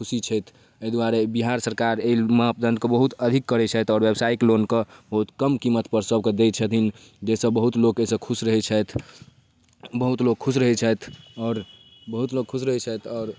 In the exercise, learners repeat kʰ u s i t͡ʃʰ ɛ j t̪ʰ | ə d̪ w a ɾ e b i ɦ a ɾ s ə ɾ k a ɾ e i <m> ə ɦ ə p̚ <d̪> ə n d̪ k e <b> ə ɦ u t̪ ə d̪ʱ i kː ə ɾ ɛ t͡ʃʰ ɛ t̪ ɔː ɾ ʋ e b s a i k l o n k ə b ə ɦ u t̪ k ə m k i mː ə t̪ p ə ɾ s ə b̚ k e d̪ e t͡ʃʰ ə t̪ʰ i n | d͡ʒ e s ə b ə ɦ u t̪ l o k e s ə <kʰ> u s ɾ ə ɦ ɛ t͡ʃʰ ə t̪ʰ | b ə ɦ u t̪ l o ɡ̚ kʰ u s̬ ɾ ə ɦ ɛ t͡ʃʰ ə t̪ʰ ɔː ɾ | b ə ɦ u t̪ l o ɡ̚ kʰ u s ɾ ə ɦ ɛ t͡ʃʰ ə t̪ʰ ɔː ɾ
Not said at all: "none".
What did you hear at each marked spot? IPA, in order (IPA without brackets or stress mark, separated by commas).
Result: m, d̪, b, kʰ